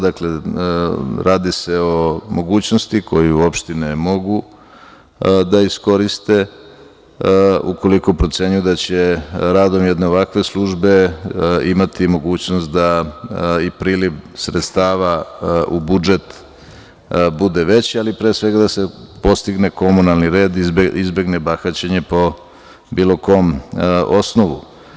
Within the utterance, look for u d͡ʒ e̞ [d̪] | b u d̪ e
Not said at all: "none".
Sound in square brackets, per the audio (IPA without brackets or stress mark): t̪